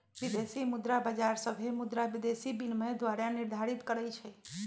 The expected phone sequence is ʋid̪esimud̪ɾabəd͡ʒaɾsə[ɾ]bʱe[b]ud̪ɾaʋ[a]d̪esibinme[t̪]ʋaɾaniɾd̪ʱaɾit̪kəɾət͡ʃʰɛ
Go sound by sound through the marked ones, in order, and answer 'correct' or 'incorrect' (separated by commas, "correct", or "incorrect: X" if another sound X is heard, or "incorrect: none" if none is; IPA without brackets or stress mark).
incorrect: none, incorrect: m, incorrect: i, incorrect: d̪